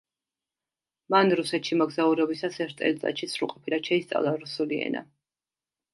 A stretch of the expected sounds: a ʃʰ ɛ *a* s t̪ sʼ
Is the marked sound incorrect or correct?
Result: incorrect